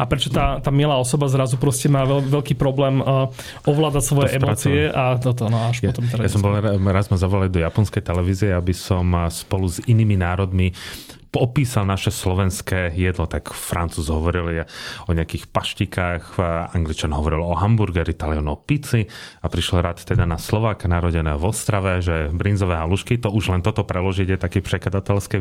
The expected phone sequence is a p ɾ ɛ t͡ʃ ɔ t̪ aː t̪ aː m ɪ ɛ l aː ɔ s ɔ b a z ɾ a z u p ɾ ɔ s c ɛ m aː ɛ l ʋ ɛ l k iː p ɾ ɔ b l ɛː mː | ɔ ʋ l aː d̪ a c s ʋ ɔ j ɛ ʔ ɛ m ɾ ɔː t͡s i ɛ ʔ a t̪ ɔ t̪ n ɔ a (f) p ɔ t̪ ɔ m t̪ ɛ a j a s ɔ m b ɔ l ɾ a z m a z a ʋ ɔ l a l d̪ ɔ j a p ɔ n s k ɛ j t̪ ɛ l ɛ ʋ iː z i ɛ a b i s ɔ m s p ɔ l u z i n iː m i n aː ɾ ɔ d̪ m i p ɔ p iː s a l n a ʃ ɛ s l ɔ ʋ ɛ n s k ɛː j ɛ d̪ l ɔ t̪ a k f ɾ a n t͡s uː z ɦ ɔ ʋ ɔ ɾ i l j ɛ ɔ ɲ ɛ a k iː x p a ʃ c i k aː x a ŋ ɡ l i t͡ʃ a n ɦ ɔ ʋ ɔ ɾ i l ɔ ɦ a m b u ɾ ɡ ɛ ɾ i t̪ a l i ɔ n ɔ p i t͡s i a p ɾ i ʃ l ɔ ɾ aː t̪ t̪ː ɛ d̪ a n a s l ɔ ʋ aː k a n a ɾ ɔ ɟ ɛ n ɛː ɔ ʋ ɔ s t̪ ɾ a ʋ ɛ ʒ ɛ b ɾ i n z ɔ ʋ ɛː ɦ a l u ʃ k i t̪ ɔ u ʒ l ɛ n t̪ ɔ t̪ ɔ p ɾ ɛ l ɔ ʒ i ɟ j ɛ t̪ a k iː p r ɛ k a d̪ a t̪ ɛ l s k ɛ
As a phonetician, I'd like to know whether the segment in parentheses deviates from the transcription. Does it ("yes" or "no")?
yes